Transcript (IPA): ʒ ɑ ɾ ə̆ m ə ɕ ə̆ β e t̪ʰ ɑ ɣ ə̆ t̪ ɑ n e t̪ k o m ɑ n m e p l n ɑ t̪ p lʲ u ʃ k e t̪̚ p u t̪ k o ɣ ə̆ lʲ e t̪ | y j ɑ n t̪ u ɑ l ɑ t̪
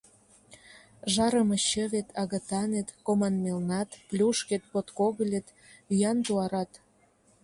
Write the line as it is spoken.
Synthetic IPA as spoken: ʒ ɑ ɾ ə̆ m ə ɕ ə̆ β e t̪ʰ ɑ ɣ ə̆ t̪ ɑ n e t̪ k o m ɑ n m e l n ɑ t̪ p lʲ u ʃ k e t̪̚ p o t̪ k o ɣ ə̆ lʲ e t̪ | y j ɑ n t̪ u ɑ ɾ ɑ t̪